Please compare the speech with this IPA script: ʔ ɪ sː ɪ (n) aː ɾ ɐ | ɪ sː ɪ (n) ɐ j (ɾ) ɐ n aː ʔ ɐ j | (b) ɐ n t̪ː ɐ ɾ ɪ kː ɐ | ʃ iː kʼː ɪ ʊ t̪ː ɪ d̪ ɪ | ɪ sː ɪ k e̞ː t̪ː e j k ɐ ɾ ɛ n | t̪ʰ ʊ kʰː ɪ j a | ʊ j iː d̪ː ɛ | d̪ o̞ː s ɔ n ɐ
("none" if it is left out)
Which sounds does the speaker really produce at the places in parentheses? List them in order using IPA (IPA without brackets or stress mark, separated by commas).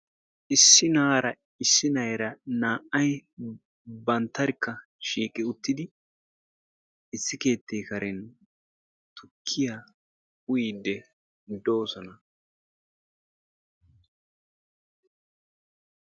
n, n, ɾ, b